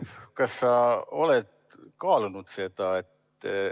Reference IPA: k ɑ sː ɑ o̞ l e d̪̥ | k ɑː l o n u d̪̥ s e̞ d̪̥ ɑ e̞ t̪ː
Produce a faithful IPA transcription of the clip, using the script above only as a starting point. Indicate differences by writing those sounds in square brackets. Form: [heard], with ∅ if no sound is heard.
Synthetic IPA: k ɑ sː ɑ o̞ l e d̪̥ | k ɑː l [u] n u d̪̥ s e̞ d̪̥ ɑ e̞ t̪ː